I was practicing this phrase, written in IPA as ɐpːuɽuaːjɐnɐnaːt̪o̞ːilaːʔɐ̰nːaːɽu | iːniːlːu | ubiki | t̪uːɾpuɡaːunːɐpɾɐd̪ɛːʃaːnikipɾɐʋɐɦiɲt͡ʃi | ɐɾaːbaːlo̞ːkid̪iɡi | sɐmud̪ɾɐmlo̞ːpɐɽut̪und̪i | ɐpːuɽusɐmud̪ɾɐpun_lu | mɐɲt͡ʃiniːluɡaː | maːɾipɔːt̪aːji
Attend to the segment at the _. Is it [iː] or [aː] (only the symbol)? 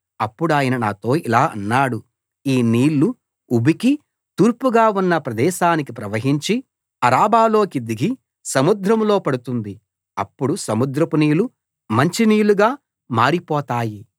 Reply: iː